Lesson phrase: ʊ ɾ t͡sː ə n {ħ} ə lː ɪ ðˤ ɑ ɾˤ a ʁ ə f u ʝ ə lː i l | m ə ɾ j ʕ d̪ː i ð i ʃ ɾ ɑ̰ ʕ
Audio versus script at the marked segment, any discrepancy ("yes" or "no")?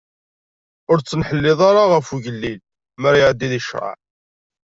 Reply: no